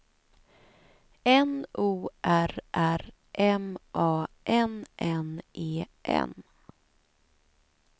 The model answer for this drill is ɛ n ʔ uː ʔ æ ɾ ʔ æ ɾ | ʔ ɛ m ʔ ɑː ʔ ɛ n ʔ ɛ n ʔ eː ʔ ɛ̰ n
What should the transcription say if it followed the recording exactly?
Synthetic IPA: ɛ n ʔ uː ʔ æ ɾ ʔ æ ɾ | ʔ ɛ m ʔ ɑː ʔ ɛ n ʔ ɛ n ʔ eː ʔ ɛ̰ n